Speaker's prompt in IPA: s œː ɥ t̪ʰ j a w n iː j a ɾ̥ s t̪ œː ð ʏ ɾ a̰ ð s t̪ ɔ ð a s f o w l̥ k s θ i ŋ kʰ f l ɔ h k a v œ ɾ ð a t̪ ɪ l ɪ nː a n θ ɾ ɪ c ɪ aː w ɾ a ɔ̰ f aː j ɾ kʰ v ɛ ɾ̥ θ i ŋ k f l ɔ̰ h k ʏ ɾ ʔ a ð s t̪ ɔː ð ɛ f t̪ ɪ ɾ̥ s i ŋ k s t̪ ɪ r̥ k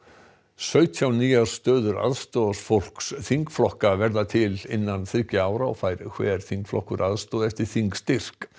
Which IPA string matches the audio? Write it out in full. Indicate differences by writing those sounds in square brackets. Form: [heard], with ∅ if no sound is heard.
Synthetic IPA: s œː ɥ t̪ʰ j a w n iː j a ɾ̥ s t̪ œː ð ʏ ɾ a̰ ð s t̪ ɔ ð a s f o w l̥ k s θ i ŋ [k] f l ɔ h k a v [ɛ] ɾ ð a [t̪ʰ] ɪ l ɪ nː a n θ ɾ ɪ c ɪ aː w ɾ a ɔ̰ f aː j ɾ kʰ v ɛ ɾ̥ θ i ŋ k f l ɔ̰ h k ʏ ɾ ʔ a ð s t̪ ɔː ð ɛ f t̪ ɪ ɾ̥ [θ] i ŋ k s t̪ ɪ r̥ k